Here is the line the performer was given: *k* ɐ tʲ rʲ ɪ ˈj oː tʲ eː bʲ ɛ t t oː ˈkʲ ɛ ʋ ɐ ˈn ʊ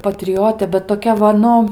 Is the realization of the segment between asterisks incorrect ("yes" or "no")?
yes